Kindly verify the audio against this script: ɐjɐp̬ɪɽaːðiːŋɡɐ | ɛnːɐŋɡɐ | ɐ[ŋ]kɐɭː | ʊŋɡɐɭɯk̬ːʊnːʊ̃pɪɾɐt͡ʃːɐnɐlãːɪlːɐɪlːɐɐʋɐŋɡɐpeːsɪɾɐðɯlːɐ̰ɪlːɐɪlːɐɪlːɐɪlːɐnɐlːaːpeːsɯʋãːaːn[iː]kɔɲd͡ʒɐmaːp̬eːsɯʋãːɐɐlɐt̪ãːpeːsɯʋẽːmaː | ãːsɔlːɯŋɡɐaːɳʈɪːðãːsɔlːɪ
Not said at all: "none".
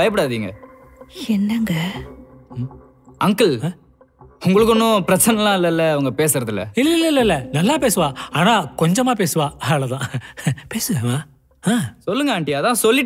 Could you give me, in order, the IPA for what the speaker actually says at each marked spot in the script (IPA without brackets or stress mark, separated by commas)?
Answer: ŋ, aː